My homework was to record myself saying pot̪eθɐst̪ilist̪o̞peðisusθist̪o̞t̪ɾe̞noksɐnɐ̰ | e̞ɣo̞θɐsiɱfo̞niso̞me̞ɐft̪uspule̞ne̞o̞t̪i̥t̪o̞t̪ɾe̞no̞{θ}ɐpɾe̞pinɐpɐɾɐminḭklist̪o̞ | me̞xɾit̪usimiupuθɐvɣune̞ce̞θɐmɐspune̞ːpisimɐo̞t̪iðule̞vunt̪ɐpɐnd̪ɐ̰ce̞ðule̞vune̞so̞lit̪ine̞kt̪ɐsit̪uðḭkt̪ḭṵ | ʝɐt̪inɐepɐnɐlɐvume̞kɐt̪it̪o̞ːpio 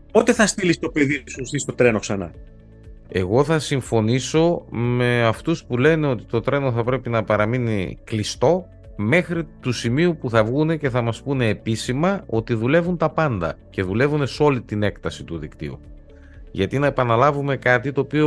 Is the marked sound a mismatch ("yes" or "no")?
no